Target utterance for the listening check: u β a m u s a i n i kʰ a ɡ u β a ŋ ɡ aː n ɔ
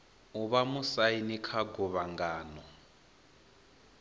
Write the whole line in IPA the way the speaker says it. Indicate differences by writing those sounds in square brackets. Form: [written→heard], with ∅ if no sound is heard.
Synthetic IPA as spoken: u β a m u s a i n i kʰ a ɡ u β a ŋ ɡ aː n ɔ